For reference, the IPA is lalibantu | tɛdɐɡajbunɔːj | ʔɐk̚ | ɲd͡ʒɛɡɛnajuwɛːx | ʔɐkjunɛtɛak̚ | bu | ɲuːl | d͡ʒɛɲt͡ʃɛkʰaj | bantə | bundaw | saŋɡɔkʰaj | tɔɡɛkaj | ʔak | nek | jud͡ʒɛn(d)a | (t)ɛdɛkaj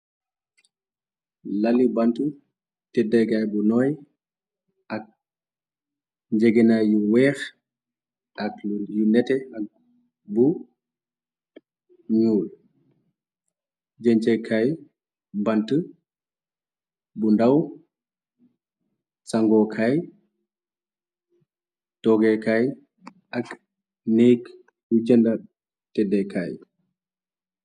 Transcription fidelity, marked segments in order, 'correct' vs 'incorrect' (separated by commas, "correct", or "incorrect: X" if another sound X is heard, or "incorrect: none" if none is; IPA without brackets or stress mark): correct, correct